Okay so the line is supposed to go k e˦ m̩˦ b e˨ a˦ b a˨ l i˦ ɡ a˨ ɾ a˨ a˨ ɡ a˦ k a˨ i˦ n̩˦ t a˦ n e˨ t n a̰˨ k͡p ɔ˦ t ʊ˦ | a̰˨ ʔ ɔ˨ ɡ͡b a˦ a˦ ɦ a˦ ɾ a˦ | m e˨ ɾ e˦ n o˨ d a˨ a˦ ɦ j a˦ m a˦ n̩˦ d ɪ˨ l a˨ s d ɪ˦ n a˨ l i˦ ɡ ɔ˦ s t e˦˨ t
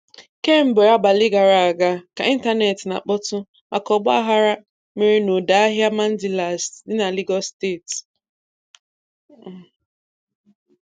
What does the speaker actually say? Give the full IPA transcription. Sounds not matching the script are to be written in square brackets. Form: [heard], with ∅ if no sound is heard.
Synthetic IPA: k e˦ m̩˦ b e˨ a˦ b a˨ l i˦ ɡ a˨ ɾ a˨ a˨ ɡ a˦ k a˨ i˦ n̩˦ t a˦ n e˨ t n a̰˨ k͡p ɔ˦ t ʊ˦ | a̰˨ [k] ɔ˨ ɡ͡b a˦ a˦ ɦ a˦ ɾ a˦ | m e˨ ɾ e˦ n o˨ d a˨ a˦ ɦ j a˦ m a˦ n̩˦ d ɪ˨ l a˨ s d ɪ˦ n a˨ l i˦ ɡ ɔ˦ s t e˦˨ t

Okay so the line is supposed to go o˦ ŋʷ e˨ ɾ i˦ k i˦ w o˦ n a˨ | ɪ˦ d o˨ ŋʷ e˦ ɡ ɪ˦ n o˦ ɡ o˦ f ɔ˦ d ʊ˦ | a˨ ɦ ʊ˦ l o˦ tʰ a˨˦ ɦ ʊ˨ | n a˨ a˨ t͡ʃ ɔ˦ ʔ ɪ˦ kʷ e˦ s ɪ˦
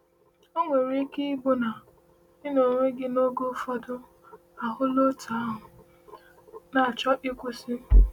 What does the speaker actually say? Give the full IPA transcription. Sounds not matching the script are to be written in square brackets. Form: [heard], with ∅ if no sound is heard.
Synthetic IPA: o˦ ŋʷ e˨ ɾ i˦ k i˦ [b] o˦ n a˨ | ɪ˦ [n] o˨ ŋʷ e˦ ɡ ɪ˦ n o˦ ɡ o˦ f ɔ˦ d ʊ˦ | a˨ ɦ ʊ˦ l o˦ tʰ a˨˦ ɦ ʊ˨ | n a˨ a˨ t͡ʃ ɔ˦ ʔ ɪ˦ kʷ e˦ s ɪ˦

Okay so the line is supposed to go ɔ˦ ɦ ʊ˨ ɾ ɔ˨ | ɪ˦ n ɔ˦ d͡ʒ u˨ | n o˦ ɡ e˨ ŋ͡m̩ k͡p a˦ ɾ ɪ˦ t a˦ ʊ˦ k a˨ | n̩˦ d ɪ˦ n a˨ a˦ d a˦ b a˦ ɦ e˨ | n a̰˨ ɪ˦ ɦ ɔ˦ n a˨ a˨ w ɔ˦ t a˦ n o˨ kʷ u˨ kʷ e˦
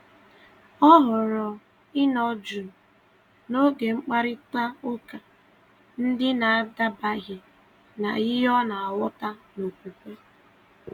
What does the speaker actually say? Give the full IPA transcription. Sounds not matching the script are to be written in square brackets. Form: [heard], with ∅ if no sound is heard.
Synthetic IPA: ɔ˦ ɦ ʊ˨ ɾ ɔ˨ | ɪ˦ n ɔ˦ d͡ʒ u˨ | n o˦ ɡ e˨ ŋ͡m̩ k͡p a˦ ɾ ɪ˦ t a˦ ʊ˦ k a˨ | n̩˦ d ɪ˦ n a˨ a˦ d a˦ b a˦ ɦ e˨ | n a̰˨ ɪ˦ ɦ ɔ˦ n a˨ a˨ w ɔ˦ t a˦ n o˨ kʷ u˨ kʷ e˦

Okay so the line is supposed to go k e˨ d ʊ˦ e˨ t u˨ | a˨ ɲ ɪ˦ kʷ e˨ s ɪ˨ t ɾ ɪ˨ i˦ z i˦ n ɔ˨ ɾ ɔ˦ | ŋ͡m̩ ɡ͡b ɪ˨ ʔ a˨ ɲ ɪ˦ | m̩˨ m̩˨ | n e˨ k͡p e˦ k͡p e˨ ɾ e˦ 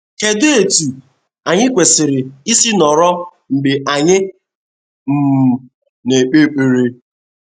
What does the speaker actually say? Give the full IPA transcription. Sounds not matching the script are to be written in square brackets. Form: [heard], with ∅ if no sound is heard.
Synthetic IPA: k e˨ d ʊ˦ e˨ t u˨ | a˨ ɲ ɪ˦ kʷ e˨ s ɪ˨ [∅] ɾ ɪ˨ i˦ [s] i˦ n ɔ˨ ɾ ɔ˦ | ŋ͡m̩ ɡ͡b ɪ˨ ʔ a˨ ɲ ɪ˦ | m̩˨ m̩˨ | n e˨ k͡p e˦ k͡p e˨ ɾ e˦

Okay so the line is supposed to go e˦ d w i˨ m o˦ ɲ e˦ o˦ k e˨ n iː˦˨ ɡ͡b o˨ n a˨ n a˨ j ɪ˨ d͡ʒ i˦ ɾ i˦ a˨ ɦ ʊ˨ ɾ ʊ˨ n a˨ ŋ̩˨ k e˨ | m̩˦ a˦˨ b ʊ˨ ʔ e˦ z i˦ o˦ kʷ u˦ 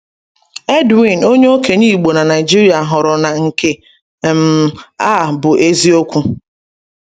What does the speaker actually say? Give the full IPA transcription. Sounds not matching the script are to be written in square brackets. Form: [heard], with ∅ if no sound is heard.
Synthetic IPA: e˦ d w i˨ [n] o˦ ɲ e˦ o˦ k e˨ n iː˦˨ ɡ͡b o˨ n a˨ n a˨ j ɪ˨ d͡ʒ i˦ ɾ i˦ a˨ ɦ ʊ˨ ɾ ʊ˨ n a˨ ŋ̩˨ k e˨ | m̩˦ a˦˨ b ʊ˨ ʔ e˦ z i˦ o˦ kʷ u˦

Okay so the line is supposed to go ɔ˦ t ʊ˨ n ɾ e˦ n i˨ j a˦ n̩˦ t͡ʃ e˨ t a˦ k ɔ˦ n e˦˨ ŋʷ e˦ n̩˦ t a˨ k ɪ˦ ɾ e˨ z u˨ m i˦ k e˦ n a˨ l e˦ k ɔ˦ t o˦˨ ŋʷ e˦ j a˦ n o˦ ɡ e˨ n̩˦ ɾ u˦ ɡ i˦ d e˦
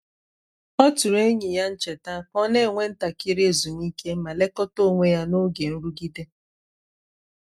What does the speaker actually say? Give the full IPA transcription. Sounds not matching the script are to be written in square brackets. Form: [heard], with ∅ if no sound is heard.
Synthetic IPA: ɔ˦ t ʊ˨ [∅] ɾ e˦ [ɲ] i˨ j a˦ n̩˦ t͡ʃ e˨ t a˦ k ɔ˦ n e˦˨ ŋʷ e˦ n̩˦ t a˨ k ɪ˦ ɾ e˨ z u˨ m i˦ k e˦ [m] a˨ l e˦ k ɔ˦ t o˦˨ ŋʷ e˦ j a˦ n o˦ ɡ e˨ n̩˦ ɾ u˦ ɡ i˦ d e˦

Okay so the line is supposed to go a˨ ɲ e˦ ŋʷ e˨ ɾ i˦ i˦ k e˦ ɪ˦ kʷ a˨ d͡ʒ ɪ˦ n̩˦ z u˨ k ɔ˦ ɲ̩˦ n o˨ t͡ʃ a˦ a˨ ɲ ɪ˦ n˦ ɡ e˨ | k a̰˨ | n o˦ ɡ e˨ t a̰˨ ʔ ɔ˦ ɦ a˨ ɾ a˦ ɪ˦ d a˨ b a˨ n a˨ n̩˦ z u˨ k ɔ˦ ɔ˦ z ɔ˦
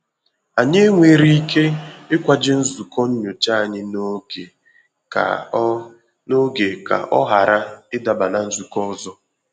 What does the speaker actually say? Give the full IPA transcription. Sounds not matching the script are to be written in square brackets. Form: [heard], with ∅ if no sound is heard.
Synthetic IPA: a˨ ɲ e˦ ŋʷ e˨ ɾ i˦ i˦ k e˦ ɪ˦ kʷ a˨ d͡ʒ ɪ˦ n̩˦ z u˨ k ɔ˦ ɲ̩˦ [ɲ] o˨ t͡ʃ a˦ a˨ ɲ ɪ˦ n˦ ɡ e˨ | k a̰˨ | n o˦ ɡ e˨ [k] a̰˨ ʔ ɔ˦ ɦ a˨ ɾ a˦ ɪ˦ d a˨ b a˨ n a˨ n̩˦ z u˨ k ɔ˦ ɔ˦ z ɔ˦

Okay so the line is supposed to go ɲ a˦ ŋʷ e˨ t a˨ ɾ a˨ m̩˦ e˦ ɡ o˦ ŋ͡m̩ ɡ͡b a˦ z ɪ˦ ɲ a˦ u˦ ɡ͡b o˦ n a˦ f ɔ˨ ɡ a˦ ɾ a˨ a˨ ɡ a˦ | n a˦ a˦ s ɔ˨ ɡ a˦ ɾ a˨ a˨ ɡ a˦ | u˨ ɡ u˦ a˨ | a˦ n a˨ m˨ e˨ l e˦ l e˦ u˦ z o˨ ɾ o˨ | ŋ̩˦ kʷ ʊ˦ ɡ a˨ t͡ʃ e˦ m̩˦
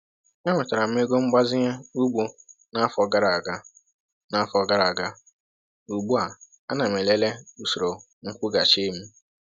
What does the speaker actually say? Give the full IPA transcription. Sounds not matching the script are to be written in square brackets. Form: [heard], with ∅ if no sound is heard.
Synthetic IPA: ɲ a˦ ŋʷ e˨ t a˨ ɾ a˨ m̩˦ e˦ ɡ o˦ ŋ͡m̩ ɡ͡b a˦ z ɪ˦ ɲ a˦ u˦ ɡ͡b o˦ n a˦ f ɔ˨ ɡ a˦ ɾ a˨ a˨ ɡ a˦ | n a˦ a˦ [f] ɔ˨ ɡ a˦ ɾ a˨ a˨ ɡ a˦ | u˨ [ɡ͡b] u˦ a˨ | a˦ n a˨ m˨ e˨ l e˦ l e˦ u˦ [s] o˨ ɾ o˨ | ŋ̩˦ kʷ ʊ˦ ɡ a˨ t͡ʃ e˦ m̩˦

